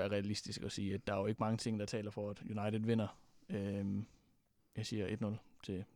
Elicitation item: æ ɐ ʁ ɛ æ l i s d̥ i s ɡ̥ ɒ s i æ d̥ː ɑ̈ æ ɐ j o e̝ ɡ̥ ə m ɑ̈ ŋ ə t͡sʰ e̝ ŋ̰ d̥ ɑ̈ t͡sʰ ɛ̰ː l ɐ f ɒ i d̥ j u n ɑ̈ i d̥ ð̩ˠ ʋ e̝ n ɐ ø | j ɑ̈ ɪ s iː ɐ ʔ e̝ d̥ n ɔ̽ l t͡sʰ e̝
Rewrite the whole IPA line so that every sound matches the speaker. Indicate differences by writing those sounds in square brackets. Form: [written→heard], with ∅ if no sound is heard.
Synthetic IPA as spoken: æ ɐ ʁ ɛ æ l i s d̥ i s ɡ̥ ɒ s [i→iː] æ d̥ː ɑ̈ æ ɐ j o e̝ ɡ̥ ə m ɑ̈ ŋ ə t͡sʰ e̝ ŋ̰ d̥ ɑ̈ t͡sʰ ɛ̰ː l ɐ f ɒ [i→æ] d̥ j u n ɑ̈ [i→ɪ] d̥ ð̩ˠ ʋ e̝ n ɐ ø | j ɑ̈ ɪ s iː ɐ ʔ e̝ d̥ n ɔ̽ l t͡sʰ e̝